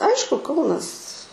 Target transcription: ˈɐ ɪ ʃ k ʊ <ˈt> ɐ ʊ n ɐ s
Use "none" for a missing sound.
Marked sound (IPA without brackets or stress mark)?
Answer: k